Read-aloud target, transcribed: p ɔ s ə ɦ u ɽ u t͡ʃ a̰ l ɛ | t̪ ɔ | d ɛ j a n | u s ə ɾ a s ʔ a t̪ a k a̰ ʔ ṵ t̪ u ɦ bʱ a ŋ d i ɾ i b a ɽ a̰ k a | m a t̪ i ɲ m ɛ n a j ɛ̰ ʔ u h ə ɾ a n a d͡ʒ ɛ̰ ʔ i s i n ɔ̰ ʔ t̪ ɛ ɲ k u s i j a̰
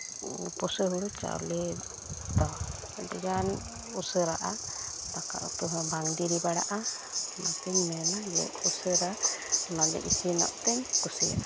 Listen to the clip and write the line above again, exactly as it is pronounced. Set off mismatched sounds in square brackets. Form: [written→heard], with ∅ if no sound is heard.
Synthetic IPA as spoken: p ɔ s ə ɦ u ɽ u t͡ʃ a̰ l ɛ | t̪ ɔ | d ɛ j a n | u s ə ɾ a [s→∅] ʔ a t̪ a k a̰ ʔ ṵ t̪ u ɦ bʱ a ŋ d i ɾ i b a ɽ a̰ [k→ʔ] a | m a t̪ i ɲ m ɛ n a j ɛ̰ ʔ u [h→s] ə ɾ a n a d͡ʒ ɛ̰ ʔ i s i n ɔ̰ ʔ t̪ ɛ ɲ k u s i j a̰